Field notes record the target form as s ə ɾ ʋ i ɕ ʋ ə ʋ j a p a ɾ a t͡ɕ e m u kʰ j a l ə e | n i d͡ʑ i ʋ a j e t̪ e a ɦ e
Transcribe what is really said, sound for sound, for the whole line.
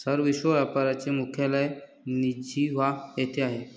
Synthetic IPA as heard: s ə ɾ ʋ i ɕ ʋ ə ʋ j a p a ɾ a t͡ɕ e m u kʰ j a l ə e | n i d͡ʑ i ʋ a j e t̪ʰ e a ɦ e

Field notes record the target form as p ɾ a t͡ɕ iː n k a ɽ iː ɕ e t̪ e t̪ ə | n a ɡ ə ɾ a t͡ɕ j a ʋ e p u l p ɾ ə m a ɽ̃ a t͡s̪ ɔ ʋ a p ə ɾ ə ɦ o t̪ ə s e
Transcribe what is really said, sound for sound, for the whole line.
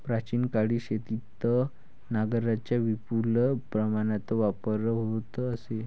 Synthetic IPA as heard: p ɾ a t͡ɕ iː n k a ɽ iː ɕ e t̪ i t̪ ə | n a ɡ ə ɾ a t͡ɕ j a ʋ i p u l p ɾ ə m a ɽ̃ a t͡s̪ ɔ ʋ a p ə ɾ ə ɦ o t̪ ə s e

